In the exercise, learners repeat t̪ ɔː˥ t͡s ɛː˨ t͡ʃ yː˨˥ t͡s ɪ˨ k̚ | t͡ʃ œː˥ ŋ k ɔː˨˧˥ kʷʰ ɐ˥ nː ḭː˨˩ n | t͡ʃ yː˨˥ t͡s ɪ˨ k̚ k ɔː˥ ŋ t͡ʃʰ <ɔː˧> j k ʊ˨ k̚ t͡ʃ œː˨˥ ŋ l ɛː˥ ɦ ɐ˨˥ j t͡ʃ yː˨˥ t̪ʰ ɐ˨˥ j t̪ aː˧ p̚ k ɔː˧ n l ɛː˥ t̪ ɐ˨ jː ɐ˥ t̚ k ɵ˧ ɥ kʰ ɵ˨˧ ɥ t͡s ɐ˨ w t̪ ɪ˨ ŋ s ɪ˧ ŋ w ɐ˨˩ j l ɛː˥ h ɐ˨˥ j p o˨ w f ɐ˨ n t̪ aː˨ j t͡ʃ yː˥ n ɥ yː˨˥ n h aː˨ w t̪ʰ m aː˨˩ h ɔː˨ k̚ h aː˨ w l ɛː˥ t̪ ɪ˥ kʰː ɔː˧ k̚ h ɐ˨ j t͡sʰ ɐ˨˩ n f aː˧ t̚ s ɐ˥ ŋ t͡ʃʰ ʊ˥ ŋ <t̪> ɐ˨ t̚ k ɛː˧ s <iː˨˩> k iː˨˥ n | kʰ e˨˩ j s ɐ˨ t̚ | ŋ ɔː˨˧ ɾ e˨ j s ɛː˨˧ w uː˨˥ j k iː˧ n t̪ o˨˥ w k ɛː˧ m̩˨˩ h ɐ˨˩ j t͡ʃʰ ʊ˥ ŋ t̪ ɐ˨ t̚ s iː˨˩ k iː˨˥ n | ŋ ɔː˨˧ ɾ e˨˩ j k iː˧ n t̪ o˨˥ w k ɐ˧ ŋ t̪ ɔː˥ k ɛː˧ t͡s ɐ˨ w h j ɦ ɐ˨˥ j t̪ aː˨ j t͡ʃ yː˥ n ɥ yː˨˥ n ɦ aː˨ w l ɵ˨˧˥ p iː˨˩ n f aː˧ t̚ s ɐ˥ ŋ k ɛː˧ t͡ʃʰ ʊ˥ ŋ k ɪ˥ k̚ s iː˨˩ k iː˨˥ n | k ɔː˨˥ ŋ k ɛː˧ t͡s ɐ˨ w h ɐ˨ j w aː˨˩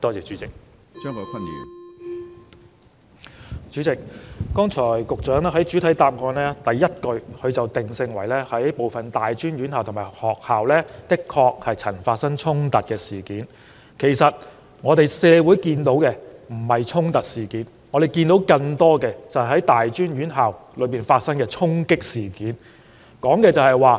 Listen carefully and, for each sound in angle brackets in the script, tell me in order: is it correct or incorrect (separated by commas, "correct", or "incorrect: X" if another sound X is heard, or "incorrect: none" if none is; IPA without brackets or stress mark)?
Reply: incorrect: ɔː˨˩, correct, correct